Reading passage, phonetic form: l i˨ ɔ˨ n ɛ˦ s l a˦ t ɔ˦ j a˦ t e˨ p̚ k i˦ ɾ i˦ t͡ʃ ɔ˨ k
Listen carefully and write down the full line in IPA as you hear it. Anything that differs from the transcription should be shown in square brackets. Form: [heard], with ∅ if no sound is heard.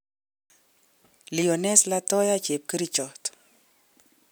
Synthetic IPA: l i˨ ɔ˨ n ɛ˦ s l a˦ t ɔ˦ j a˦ [t͡ʃ] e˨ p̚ k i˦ ɾ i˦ t͡ʃ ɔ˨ [t]